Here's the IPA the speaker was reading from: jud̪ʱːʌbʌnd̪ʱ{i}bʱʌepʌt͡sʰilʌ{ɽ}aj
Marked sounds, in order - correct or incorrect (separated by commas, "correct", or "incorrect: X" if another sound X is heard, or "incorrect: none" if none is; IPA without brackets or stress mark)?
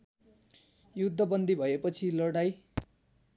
correct, correct